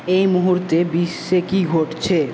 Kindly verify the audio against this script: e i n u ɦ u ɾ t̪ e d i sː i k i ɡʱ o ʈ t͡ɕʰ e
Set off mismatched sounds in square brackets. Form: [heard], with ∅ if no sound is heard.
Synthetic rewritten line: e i [m] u ɦ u ɾ t̪ e [b] i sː [e] k i ɡʱ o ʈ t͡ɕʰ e